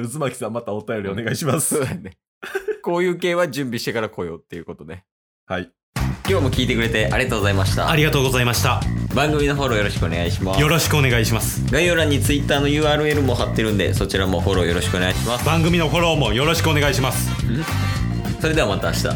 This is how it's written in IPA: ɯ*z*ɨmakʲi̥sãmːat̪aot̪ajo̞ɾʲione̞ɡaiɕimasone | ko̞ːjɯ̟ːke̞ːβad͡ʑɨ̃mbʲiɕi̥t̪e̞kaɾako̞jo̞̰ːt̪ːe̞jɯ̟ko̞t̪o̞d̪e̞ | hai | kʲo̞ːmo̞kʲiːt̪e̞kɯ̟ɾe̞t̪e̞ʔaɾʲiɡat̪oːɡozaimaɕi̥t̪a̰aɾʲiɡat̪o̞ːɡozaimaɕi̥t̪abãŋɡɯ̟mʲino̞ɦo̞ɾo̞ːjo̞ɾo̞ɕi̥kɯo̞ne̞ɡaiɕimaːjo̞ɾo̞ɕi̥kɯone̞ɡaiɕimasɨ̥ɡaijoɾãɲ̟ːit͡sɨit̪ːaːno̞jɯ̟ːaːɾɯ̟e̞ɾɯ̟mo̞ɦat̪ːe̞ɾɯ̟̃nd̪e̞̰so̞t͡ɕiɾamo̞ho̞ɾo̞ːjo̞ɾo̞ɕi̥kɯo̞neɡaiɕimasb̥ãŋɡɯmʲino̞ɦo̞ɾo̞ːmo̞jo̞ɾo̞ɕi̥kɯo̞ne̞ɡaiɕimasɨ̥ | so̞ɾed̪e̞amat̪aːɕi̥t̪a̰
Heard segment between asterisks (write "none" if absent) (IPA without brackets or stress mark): z